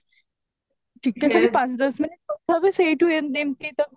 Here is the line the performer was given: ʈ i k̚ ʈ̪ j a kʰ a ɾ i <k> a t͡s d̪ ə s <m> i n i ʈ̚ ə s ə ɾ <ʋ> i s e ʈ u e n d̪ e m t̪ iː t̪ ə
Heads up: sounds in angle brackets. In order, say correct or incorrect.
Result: incorrect, correct, correct

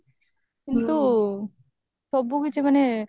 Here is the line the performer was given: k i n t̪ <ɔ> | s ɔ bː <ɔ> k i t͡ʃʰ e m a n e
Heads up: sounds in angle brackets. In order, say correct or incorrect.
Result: incorrect, incorrect

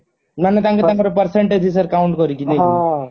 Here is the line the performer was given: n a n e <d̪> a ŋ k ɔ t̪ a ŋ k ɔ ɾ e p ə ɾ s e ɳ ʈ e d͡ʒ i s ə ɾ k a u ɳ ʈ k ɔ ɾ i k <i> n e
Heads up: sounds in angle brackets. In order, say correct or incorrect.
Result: incorrect, correct

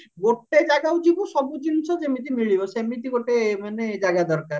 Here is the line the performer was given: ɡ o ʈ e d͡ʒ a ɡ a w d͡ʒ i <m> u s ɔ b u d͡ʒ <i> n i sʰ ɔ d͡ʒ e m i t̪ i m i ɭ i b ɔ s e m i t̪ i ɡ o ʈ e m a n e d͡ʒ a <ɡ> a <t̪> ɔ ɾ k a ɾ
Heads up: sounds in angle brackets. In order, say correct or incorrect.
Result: incorrect, correct, correct, incorrect

